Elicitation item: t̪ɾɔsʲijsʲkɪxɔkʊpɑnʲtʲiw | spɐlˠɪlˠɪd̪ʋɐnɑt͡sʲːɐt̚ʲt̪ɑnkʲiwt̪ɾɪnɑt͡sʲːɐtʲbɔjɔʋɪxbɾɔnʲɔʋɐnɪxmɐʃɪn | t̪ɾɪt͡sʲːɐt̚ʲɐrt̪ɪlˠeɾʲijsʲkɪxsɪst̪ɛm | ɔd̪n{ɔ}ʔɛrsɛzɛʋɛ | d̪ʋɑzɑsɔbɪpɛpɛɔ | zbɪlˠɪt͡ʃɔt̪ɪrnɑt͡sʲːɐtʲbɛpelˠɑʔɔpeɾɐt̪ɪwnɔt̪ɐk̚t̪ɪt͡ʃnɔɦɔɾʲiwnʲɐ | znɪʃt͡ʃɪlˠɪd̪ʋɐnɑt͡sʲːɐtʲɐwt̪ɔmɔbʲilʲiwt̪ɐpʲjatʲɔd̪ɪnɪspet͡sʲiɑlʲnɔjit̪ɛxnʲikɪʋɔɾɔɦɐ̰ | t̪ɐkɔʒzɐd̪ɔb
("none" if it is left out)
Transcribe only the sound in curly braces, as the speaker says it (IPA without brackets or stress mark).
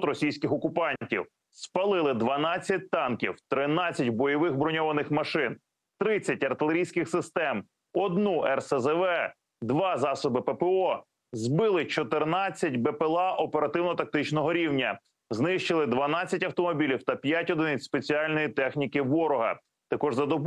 u